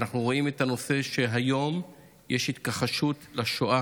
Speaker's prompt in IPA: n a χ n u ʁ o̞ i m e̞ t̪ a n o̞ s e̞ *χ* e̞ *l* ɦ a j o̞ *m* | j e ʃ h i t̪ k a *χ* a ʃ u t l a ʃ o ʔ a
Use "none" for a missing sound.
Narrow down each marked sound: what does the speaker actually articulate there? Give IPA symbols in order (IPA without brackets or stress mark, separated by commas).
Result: ʃ, none, m, χ